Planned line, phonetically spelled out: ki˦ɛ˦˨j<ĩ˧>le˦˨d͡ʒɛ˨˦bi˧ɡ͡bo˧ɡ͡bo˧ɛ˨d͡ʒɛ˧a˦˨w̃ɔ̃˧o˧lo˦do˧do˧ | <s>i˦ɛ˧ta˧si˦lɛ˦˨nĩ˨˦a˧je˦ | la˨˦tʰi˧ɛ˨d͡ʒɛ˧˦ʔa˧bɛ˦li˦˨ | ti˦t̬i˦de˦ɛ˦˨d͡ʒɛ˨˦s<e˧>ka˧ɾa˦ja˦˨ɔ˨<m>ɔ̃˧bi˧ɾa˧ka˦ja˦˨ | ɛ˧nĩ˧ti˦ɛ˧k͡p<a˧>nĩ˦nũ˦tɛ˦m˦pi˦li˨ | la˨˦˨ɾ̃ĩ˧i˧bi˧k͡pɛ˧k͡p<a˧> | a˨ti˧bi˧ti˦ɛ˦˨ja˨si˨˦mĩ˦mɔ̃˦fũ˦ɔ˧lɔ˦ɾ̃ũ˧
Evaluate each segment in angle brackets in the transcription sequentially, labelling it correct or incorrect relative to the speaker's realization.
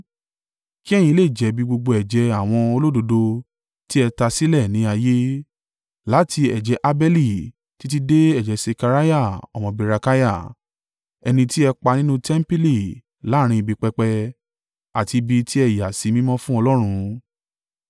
correct, incorrect: t, correct, correct, correct, incorrect: ɛ˧

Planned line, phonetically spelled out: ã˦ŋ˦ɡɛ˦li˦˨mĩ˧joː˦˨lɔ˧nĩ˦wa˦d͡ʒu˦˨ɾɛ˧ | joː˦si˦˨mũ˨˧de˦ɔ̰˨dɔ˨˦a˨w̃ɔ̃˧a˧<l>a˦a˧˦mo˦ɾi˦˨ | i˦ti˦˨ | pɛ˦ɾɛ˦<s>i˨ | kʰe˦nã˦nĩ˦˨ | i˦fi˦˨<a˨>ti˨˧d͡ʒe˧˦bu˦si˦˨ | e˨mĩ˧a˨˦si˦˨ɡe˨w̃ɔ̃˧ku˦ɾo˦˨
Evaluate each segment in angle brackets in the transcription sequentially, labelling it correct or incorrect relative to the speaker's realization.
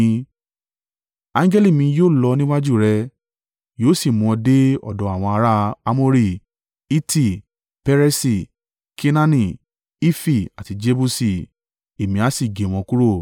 incorrect: ɾ, correct, correct

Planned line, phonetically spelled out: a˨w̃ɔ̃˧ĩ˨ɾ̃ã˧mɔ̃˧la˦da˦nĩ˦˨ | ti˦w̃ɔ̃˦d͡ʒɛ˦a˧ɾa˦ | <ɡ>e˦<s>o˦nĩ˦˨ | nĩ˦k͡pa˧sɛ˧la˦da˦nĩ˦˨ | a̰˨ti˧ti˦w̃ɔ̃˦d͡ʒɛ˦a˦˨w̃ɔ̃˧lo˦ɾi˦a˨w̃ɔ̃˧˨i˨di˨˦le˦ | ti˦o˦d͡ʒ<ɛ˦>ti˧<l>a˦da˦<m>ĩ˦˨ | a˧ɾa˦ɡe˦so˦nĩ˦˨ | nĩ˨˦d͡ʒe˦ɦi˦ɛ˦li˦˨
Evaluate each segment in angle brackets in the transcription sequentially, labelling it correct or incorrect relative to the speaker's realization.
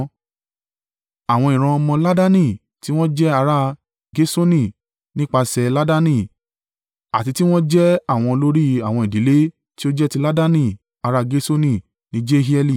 correct, correct, correct, correct, incorrect: n

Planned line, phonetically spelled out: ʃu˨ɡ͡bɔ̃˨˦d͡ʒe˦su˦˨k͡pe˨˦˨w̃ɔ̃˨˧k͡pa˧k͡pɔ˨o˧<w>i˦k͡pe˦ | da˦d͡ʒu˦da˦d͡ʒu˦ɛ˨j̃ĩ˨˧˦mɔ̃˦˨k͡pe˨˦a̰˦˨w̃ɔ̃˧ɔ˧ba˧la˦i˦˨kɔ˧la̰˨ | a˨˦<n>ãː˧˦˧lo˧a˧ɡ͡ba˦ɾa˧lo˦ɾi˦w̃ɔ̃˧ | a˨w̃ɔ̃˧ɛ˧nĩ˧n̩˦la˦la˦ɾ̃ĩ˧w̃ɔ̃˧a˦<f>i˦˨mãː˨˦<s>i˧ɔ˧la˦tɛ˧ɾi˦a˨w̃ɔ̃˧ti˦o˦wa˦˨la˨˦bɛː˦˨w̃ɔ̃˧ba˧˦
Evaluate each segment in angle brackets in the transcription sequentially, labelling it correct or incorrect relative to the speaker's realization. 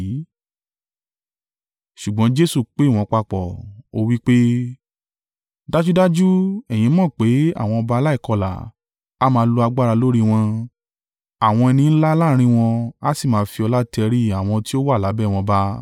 correct, incorrect: m, incorrect: s, incorrect: f

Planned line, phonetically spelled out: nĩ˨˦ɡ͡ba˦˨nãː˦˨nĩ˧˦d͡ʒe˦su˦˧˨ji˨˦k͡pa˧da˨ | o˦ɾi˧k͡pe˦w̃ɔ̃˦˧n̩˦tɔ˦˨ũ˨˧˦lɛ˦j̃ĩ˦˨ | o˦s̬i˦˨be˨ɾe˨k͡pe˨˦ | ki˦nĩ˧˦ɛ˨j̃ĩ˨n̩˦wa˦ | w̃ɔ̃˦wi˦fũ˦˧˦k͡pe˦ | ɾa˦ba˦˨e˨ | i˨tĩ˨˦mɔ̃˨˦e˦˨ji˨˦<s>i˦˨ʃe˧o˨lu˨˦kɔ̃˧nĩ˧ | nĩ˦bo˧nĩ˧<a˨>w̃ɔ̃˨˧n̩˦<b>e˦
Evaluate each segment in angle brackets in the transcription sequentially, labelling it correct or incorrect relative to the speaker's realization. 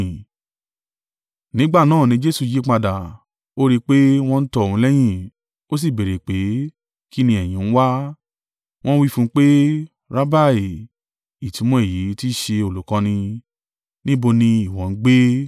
incorrect: t, incorrect: i˨, incorrect: ɡ͡b

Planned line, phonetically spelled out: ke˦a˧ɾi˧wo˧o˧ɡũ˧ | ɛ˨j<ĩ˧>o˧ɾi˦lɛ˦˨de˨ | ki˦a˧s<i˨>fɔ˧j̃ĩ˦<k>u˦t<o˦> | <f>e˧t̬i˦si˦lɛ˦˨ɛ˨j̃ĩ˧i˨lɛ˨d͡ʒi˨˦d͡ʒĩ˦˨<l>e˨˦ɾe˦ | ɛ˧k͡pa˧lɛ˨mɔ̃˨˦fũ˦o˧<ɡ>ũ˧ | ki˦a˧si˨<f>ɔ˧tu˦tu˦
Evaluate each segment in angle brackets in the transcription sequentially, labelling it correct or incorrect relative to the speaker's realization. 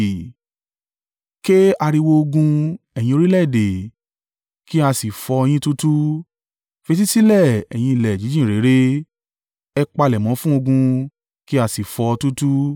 correct, correct, incorrect: t, incorrect: u˦, correct, incorrect: ɾ, correct, correct

